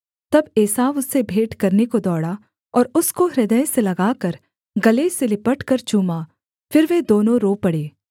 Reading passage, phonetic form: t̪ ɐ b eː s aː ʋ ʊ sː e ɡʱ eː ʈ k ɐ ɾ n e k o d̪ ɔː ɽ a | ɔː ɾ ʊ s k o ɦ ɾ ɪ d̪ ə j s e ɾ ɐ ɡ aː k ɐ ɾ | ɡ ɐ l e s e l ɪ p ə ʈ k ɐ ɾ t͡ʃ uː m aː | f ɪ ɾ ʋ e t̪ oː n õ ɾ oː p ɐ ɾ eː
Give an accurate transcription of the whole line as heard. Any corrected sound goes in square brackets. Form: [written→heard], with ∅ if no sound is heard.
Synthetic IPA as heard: t̪ ɐ b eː s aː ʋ ʊ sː e [ɡʱ→bʱ] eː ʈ k ɐ ɾ n e k o d̪ ɔː ɽ a | ɔː ɾ ʊ s k o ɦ ɾ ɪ d̪ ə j s e [ɾ→l] ɐ ɡ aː k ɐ ɾ | ɡ ɐ l e s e l ɪ p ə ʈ k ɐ ɾ t͡ʃ uː m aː | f ɪ ɾ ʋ e [t̪→d̪] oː n õ ɾ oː p ɐ [ɾ→ɽ] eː